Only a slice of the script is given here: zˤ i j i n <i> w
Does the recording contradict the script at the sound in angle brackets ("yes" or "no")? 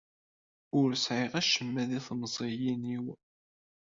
no